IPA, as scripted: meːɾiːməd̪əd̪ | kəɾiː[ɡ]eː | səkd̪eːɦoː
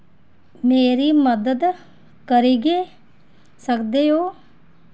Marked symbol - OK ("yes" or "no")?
yes